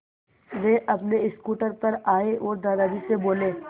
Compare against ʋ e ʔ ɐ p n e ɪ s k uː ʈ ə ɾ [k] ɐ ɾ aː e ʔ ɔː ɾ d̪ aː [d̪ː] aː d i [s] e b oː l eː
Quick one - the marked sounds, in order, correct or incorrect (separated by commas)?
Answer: incorrect, incorrect, correct